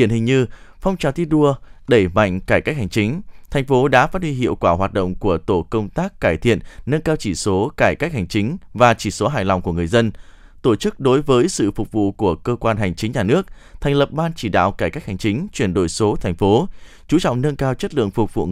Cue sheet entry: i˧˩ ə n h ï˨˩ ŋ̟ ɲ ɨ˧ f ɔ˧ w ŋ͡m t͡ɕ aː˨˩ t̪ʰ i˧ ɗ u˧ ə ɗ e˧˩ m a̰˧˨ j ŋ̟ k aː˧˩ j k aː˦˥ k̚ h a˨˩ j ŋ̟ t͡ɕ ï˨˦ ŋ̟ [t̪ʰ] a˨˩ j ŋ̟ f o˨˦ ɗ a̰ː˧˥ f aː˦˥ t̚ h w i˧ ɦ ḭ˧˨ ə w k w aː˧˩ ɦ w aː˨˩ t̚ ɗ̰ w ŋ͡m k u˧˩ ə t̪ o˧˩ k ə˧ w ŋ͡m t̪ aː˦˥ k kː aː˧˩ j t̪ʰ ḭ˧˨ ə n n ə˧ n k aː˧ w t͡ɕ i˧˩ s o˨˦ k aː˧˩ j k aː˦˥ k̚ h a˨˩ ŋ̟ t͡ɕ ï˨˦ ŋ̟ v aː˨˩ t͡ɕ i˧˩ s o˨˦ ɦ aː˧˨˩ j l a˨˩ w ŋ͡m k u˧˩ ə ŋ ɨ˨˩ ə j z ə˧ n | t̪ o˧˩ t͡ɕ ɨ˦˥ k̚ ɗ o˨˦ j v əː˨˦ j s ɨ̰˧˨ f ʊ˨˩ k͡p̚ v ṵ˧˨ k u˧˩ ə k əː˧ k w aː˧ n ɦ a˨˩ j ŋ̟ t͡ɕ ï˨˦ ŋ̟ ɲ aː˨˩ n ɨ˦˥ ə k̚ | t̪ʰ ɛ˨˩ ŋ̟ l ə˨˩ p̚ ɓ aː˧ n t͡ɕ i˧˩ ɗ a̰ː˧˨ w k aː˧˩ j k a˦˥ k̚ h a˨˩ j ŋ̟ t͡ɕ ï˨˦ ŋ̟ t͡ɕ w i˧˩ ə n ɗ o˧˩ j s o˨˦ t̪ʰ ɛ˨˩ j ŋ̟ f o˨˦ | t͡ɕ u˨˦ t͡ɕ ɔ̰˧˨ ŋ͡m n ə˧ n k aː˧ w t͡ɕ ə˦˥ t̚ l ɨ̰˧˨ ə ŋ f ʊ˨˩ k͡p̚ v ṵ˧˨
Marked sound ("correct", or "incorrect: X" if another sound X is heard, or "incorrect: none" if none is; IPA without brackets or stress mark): correct